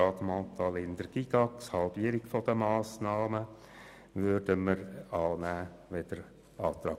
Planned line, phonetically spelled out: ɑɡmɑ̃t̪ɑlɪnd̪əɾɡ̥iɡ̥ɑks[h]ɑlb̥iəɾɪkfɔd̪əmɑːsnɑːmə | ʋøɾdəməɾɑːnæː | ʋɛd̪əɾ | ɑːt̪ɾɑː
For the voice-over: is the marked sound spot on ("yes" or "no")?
yes